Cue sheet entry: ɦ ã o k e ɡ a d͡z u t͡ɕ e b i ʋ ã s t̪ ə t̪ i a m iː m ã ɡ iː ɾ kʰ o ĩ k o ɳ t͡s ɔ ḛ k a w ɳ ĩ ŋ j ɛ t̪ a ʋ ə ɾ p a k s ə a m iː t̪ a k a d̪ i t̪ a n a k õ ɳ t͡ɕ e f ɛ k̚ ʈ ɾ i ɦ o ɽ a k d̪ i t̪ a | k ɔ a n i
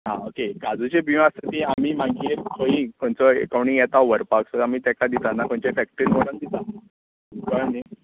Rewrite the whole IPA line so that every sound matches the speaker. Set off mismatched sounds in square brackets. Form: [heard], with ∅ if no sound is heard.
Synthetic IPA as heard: ɦ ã o k e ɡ a d͡z u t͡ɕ e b i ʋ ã s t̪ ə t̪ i a m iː m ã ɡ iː ɾ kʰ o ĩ k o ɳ t͡s ɔ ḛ k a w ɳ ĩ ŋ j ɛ t̪ a ʋ ə ɾ p a k s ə a m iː t̪ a k a d̪ i t̪ a n a k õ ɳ t͡ɕ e f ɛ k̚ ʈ ɾ i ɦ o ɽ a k d̪ i t̪ a | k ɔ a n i

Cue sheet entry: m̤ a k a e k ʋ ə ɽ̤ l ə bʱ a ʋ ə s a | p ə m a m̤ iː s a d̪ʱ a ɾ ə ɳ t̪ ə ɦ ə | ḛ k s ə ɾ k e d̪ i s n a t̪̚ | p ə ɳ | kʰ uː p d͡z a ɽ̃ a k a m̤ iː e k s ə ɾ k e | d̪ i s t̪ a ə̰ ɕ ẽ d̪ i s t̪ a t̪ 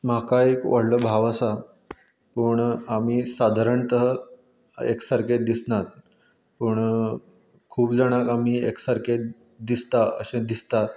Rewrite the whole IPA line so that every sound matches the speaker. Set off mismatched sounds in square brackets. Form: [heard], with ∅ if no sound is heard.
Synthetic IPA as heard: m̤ a k a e k ʋ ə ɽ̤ l ə bʱ a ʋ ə s a | p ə [ɳ] a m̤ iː s a d̪ʱ a ɾ ə ɳ t̪ ə ɦ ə | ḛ k s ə ɾ k e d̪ i s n a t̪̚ | p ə ɳ | kʰ uː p d͡z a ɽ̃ a k a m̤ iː e k s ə ɾ k e | d̪ i s t̪ a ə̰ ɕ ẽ d̪ i s t̪ a t̪

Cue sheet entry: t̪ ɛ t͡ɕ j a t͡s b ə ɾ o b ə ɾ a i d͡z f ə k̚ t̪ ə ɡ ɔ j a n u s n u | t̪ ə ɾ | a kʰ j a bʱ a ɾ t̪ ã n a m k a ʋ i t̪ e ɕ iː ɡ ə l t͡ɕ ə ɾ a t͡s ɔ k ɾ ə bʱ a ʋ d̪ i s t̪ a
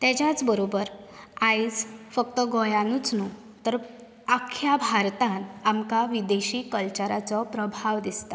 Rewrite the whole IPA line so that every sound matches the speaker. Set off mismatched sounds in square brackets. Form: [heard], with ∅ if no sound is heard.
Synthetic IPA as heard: t̪ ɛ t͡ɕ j a t͡s b ə ɾ o b ə ɾ a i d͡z f ə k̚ t̪ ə ɡ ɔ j a n u [t͡s] n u | t̪ ə ɾ | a kʰ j a bʱ a ɾ t̪ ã n a m k a ʋ i [d̪] e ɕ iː [k] ə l t͡ɕ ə ɾ a t͡s ɔ [p] ɾ ə bʱ a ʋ d̪ i s t̪ a

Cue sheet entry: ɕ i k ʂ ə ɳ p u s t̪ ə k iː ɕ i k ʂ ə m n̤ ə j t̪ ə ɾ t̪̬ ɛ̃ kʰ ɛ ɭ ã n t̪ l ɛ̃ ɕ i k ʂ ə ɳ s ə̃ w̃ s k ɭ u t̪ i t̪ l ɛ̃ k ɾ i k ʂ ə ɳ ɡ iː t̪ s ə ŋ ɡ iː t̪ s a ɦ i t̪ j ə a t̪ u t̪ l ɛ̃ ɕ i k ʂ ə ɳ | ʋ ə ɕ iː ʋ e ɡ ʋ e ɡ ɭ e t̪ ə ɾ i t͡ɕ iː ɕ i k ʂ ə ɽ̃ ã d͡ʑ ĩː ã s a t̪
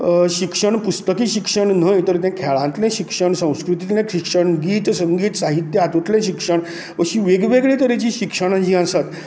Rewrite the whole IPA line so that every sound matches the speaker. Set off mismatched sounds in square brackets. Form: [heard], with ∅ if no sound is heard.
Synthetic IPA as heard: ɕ i k ʂ ə ɳ p u s t̪ ə k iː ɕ i k ʂ ə [ɳ] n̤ ə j t̪ ə ɾ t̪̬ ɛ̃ kʰ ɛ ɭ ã n t̪ l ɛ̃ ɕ i k ʂ ə ɳ s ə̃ w̃ s k [ɾ] u t̪ i t̪ l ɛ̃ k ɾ i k ʂ ə ɳ ɡ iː t̪ s ə ŋ ɡ iː t̪ s a ɦ i t̪ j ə a t̪ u t̪ l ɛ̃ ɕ i k ʂ ə ɳ | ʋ ə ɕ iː ʋ e ɡ ʋ e ɡ ɭ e t̪ ə ɾ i t͡ɕ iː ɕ i k ʂ ə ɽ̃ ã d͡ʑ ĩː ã s a t̪

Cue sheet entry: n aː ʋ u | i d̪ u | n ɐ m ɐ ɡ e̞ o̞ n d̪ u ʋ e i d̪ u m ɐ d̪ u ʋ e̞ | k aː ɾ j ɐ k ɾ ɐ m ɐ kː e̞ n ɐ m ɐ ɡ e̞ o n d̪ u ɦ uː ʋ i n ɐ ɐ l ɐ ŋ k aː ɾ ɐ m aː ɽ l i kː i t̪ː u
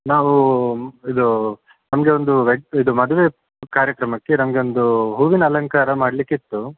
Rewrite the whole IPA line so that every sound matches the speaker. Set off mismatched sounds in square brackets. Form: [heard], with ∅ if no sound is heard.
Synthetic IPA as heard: n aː ʋ u | i d̪ u | n ɐ m ɐ ɡ e̞ o̞ n d̪ u ʋ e i d̪ u m ɐ d̪ u ʋ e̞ | k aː ɾ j ɐ k ɾ ɐ m ɐ kː e̞ n ɐ m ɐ ɡ e̞ o n d̪ u ɦ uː ʋ i n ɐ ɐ l ɐ ŋ k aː ɾ ɐ m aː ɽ l i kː i t̪ː u

